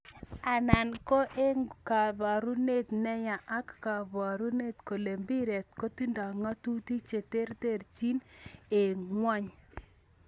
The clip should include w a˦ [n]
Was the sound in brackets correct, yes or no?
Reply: no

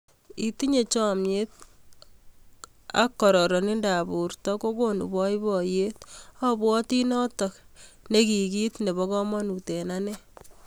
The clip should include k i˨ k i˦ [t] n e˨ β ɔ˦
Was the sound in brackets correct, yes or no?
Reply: yes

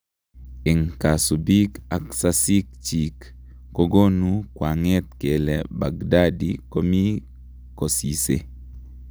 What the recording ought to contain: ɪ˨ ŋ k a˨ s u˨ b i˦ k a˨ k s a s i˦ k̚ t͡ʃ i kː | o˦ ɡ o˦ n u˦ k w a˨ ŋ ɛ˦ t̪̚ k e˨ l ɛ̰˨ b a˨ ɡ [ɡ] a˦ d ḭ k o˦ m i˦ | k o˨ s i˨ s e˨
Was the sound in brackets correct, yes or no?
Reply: no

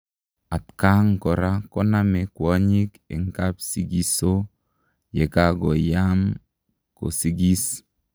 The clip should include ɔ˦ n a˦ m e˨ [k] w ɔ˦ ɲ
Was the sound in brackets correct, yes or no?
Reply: yes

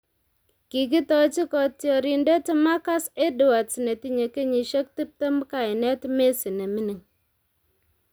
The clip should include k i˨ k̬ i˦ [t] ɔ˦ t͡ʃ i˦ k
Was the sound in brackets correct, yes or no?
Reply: yes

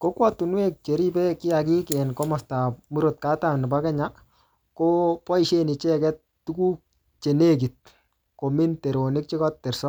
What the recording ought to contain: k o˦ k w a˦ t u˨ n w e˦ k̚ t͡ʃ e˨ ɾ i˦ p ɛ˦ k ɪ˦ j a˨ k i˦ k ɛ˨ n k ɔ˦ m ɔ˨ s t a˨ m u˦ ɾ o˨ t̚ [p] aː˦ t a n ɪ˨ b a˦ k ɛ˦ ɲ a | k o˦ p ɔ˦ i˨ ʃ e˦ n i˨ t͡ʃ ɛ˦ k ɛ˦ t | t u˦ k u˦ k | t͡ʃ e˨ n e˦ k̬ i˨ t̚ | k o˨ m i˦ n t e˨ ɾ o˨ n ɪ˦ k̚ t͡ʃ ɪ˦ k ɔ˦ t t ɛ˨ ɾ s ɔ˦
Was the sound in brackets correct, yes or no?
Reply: no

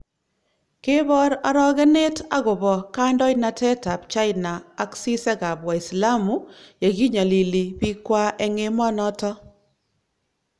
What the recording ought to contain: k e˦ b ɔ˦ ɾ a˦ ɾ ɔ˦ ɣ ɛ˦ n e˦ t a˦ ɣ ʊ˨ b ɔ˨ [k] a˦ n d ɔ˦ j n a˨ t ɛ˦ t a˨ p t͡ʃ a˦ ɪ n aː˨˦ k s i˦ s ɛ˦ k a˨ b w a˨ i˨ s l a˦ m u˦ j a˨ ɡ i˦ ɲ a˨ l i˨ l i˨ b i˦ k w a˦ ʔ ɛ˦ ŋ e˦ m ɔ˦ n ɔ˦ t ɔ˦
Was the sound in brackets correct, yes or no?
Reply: yes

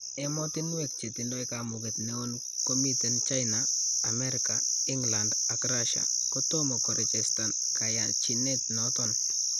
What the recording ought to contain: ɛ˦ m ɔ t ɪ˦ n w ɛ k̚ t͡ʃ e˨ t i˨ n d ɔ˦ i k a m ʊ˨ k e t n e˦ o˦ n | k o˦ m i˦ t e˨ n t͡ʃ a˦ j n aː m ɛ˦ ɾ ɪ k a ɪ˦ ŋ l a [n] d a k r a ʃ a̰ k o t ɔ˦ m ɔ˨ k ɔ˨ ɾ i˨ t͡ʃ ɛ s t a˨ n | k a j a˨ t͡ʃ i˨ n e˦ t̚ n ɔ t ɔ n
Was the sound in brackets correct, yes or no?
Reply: yes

